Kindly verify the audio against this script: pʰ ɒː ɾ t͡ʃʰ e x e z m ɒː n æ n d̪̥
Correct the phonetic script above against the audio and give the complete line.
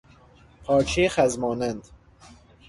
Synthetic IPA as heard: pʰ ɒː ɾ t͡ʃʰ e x æ z m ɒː n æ n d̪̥